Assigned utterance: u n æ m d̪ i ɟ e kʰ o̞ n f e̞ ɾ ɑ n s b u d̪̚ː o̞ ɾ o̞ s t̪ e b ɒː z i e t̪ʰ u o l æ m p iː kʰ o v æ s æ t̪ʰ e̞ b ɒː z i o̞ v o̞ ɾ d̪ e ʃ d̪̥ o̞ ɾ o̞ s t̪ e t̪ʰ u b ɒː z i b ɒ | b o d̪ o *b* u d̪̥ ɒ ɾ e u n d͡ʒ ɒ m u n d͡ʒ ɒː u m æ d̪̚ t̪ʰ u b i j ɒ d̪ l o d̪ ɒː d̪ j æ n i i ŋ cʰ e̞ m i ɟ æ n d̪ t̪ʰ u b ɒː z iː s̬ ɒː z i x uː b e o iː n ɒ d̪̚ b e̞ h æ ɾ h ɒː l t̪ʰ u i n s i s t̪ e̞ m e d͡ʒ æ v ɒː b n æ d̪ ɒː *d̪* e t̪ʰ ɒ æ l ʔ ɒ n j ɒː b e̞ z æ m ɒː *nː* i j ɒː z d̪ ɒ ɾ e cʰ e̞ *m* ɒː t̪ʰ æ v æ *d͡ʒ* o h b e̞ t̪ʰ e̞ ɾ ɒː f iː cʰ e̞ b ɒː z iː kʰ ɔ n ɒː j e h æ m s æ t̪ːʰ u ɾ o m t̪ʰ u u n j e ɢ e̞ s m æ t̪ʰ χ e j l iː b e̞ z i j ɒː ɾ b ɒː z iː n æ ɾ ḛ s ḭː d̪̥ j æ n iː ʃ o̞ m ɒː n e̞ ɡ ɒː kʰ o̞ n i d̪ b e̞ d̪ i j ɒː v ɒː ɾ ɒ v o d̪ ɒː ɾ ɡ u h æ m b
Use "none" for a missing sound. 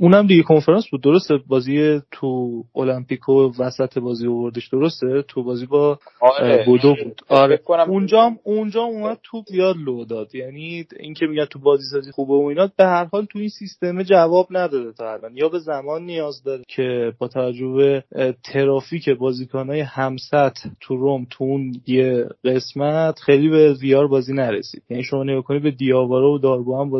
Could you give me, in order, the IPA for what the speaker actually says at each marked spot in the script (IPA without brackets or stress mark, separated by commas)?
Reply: b, d̪, nː, b, d͡ʒː